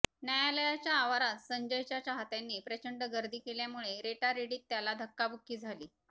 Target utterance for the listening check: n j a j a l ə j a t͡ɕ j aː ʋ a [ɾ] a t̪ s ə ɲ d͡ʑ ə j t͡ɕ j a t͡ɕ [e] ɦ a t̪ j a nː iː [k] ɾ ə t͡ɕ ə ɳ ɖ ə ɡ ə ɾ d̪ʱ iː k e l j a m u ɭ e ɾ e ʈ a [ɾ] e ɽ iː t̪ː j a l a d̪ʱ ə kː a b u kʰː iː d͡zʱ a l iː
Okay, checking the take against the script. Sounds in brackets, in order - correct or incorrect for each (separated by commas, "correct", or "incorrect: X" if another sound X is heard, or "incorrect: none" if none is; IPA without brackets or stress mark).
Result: correct, incorrect: a, incorrect: p, correct